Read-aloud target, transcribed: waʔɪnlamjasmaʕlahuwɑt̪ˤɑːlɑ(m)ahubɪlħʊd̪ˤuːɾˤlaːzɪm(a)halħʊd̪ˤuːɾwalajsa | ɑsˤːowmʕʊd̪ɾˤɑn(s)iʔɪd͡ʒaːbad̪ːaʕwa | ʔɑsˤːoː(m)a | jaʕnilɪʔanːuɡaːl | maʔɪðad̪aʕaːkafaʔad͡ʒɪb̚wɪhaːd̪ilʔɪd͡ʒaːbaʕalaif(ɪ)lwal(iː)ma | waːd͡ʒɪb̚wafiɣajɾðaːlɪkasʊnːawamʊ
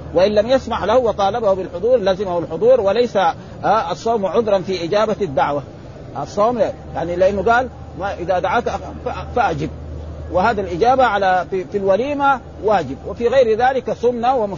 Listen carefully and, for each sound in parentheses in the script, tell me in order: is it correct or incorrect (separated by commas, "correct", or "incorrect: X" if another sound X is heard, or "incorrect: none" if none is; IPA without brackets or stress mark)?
incorrect: b, correct, incorrect: f, correct, incorrect: i, correct